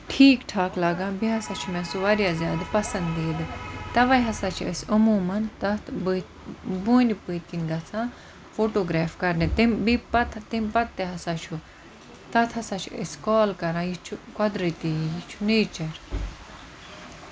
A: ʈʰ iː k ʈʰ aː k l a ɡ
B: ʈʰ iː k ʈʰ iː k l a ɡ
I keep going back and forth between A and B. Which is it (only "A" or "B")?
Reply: A